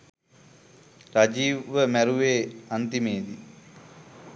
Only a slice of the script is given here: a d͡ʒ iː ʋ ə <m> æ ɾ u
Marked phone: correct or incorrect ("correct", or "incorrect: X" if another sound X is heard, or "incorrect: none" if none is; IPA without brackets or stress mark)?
correct